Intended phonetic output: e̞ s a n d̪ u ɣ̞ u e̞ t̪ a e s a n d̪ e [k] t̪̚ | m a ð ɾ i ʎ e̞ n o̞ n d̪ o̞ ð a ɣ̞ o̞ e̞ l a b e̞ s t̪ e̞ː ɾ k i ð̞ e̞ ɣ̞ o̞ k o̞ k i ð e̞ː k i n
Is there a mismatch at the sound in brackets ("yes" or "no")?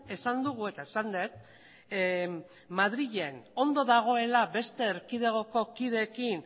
yes